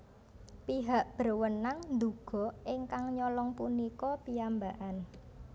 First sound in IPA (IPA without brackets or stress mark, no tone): p